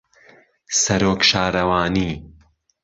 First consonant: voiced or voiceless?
voiceless